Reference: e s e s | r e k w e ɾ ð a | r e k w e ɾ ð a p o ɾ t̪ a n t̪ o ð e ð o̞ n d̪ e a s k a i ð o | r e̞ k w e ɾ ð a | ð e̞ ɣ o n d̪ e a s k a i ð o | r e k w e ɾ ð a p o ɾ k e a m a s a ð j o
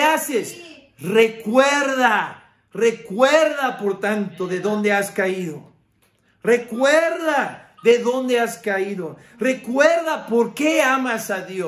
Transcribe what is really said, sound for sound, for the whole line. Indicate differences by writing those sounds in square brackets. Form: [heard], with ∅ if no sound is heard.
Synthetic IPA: [a] s e s | r e k w e ɾ ð a | r e k w e ɾ ð a p o ɾ t̪ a n t̪ o ð e ð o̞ n d̪ e a s k a i ð o | r e̞ k w e ɾ ð a | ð e̞ [ð] o n d̪ e a s k a i ð o | r e k w e ɾ ð a p o ɾ k e a m a s a ð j o